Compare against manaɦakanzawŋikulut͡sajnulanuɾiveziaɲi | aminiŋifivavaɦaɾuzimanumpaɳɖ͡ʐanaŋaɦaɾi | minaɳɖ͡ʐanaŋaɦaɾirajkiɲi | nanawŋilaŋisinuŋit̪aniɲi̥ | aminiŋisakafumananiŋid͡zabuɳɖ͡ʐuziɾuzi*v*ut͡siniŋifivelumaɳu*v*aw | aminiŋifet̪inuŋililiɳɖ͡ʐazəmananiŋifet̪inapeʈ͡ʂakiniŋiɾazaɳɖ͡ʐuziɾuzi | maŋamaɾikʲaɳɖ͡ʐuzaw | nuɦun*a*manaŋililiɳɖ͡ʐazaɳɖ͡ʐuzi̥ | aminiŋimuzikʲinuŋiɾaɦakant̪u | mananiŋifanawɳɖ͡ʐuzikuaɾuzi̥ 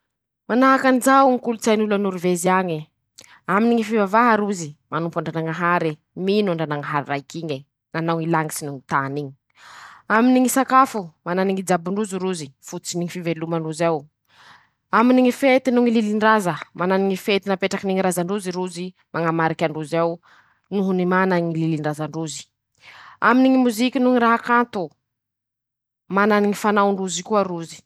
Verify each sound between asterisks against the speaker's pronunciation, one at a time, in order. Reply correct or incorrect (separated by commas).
incorrect, incorrect, incorrect